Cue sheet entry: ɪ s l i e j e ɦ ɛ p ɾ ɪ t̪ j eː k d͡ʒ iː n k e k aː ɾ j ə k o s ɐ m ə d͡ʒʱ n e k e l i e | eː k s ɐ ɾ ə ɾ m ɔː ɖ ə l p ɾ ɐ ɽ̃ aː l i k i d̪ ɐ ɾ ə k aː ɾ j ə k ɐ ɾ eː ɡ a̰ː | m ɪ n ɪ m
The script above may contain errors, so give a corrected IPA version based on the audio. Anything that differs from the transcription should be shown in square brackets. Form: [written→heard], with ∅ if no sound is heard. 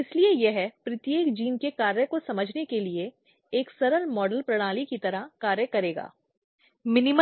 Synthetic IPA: ɪ s l i e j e ɦ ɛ p ɾ ɪ t̪ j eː k d͡ʒ iː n k e k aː ɾ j ə k o s ɐ m ə d͡ʒʱ n e k e l i e | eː k s ɐ ɾ ə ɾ m ɔː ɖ ə l p ɾ ɐ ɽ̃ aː l i k i [d̪→t̪] ɐ ɾ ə k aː ɾ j ə k ɐ ɾ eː ɡ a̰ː | m ɪ n ɪ m